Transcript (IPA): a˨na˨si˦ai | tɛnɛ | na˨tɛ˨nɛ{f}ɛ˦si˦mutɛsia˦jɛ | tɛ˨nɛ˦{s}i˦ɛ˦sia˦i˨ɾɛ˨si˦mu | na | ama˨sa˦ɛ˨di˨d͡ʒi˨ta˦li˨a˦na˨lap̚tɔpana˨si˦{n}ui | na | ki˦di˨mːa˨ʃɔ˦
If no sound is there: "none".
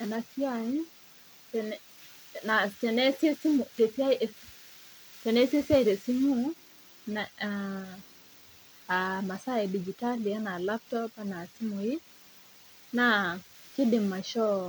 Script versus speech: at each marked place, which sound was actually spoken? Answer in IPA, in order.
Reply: s, s, m

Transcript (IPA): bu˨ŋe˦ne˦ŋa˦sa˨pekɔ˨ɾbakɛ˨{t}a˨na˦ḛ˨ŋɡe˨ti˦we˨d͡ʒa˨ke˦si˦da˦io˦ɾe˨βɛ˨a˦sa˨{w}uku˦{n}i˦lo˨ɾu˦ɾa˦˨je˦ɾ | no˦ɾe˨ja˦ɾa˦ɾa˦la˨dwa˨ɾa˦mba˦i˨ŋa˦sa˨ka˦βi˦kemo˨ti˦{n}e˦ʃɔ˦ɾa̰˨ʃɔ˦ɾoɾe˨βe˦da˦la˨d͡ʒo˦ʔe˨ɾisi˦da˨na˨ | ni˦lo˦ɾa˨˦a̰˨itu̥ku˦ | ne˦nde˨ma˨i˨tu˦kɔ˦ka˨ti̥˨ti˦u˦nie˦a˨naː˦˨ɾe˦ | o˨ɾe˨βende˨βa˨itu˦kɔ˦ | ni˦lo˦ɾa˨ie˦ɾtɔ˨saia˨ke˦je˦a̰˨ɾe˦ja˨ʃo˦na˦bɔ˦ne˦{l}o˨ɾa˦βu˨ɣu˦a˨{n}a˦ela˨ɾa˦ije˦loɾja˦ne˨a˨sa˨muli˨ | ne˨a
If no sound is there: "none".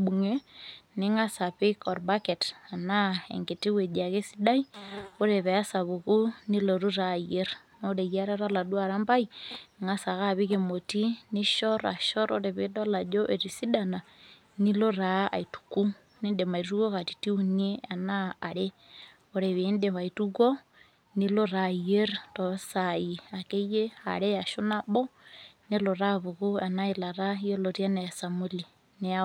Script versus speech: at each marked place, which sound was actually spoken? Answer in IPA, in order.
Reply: t, β, n, n, l, n

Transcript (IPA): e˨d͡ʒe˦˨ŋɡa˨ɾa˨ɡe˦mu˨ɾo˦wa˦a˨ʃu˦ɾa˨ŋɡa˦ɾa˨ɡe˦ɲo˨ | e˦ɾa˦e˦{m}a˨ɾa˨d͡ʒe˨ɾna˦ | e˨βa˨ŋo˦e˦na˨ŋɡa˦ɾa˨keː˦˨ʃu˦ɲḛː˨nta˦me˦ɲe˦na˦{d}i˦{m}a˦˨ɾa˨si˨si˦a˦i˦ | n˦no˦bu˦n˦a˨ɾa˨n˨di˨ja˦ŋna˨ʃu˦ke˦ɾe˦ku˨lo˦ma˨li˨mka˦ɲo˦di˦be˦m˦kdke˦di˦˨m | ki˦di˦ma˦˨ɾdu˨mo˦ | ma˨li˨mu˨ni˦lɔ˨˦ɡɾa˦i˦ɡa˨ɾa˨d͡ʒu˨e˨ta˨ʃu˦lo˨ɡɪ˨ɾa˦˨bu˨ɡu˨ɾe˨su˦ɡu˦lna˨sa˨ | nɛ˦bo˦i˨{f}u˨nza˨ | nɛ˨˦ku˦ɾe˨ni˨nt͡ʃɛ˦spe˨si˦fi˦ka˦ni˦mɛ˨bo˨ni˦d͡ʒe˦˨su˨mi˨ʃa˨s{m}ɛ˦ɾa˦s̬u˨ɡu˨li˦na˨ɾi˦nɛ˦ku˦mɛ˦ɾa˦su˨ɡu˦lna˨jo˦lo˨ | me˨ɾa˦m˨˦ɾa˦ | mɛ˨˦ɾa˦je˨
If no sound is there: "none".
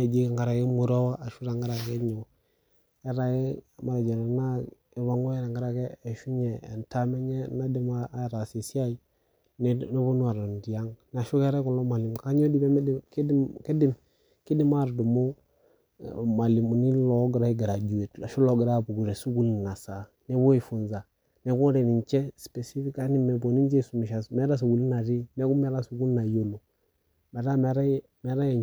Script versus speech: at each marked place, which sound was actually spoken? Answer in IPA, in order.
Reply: m, d, m, f, m

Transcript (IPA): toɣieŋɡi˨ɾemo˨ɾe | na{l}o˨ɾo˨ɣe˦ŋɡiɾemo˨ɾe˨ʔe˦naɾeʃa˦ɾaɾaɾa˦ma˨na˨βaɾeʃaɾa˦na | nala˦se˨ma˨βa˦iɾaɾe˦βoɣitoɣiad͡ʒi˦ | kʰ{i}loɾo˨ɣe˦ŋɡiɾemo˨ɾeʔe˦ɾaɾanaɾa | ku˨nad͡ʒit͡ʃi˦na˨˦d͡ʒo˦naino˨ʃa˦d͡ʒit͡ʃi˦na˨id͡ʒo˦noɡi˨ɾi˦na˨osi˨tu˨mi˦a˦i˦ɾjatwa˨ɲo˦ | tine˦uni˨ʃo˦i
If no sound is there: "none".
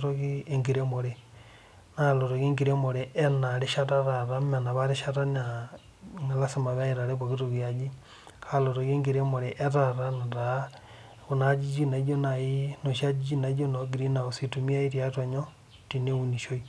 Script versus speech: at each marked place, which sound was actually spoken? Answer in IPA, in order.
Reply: l, a

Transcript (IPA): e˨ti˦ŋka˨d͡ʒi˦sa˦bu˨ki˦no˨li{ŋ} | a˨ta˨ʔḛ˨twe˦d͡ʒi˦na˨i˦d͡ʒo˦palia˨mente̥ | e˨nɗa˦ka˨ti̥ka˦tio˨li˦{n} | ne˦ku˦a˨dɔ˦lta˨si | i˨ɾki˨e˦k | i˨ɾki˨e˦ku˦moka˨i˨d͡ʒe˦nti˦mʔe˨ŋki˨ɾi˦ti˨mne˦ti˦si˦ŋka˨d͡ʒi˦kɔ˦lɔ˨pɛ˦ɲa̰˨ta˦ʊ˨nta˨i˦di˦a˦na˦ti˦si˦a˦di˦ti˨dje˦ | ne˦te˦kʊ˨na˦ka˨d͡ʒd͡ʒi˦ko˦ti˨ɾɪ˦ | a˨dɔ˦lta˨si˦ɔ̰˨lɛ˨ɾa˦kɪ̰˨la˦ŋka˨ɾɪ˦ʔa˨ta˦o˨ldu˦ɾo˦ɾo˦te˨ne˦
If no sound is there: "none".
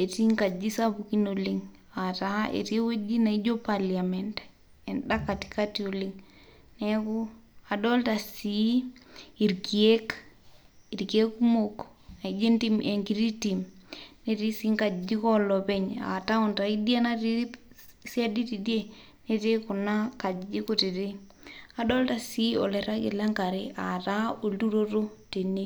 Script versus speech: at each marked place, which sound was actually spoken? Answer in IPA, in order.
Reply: ŋ, ŋ

